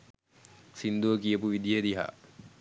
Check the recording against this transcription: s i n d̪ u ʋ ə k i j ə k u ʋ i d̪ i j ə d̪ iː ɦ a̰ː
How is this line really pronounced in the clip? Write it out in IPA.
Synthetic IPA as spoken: s i n d̪ u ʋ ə k i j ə p u ʋ i d̪ i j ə d̪ i ɦ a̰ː

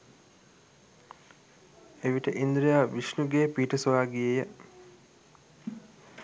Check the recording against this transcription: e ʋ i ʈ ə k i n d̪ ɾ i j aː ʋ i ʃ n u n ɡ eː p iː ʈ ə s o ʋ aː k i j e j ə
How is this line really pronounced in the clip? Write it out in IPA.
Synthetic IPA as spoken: e ʋ i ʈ ə ʔ i n d̪ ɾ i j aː ʋ i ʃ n u ɡ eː p iː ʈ ə s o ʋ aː ɡ i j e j ə

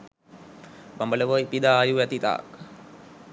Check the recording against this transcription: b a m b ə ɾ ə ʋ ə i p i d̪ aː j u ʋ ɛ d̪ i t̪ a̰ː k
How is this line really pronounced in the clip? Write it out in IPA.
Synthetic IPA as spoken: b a m b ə l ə ʋ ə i p i d̪ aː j u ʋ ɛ t̪ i t̪ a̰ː k

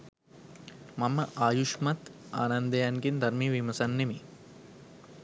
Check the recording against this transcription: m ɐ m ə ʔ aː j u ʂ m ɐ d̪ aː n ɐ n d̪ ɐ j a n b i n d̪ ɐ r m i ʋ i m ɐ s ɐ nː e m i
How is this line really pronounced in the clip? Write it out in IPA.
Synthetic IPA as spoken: m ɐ m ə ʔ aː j u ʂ m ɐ t̪ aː n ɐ n d̪ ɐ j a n ɡ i n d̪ ɐ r m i ʋ i m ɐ s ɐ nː e m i

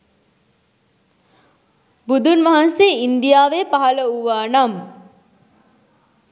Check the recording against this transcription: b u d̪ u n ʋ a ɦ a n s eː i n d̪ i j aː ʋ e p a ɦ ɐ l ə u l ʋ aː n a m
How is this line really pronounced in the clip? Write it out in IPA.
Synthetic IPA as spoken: b u d̪ u n ʋ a ɦ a n s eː i n d̪ i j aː ʋ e p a ɦ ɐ l ə u ʋ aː n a m

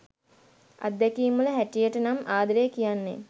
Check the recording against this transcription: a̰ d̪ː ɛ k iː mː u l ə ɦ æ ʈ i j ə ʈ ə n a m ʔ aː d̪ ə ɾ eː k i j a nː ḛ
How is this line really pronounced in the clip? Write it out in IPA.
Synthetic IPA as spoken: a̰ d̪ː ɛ k iː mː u l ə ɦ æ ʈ i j ə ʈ ə n a m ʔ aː d̪ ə ɾ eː k i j a nː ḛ

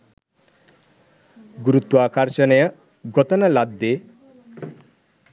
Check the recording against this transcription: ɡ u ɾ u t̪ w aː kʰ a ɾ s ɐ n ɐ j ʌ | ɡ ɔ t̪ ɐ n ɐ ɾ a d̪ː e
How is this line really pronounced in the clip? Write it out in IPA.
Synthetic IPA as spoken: ɡ u ɾ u t̪ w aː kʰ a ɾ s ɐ n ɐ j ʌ | ɡ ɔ t̪ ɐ n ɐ l a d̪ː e

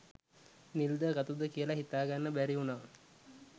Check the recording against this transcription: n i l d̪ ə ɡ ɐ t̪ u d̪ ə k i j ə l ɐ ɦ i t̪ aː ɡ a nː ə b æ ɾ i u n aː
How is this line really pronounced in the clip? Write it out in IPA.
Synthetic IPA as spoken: n i l d̪ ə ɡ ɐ t̪ u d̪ ə k i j ə l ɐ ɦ i t̪ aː ɡ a nː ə b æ ɾ i u n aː

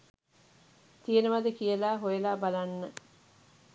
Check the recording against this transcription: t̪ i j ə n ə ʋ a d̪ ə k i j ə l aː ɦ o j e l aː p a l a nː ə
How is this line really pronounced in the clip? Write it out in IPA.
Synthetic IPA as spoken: t̪ i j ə n ə ʋ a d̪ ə k i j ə l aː ɦ o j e l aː b a l a nː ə

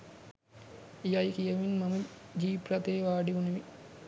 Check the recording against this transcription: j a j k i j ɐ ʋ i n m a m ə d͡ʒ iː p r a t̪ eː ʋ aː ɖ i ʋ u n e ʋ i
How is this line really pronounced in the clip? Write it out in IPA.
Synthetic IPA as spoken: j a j k i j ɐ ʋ i n m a m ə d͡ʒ iː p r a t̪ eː ʋ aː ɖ i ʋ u n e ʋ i

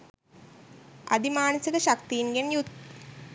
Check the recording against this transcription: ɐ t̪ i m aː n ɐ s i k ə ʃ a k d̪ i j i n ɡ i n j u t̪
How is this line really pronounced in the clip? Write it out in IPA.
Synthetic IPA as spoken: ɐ d̪ i m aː n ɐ s i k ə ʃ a k t̪ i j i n ɡ e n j u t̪

